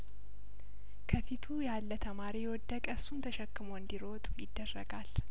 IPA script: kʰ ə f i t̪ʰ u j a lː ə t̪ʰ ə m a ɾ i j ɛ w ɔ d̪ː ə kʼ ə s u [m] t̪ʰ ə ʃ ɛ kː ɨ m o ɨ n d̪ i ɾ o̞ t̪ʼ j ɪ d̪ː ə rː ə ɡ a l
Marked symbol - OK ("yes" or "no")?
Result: no